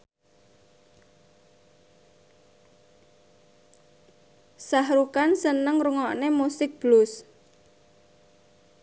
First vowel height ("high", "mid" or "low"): low